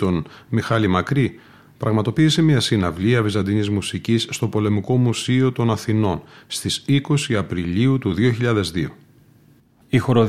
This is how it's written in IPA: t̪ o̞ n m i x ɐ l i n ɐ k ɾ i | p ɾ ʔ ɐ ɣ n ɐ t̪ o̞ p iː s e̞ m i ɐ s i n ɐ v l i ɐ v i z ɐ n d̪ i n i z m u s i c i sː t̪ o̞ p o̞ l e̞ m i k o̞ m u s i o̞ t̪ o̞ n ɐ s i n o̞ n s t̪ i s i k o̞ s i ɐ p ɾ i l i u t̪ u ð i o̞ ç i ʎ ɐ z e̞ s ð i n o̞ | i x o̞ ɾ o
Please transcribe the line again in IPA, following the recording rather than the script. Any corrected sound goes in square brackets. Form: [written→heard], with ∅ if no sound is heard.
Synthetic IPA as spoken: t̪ o̞ n m i x ɐ l i [n→m] ɐ k ɾ i | p ɾ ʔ ɐ ɣ [n→m] ɐ t̪ o̞ p iː s e̞ m i ɐ s i n ɐ v l i ɐ v i z ɐ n d̪ i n i z m u s i c i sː t̪ o̞ p o̞ l e̞ m i k o̞ m u s i o̞ t̪ o̞ n ɐ [s→θ] i n o̞ n s t̪ i s i k o̞ s i ɐ p ɾ i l i u t̪ u ð i o̞ ç i ʎ ɐ [z→ð] e̞ [s→z] ð i [n→∅] o̞ | i x o̞ ɾ o